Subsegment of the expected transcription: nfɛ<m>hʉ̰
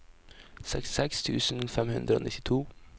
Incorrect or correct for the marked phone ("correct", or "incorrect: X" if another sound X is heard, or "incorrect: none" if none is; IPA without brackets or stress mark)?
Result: correct